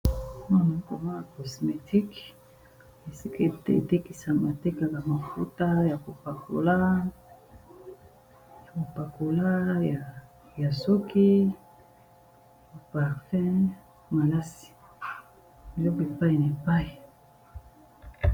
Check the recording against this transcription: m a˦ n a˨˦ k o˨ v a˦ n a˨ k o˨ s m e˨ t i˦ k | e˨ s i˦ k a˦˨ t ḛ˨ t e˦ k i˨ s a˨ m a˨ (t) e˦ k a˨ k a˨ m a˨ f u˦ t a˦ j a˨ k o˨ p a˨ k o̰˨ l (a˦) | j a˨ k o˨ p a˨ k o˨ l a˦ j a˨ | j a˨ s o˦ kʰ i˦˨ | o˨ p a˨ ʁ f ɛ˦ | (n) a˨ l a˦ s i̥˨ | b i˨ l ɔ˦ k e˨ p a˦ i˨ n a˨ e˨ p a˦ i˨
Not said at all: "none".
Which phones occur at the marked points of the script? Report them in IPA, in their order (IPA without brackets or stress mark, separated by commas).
t, a˦, m